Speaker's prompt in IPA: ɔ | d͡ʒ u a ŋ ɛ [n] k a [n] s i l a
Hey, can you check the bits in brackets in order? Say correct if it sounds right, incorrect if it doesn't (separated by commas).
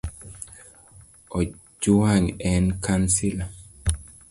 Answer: correct, correct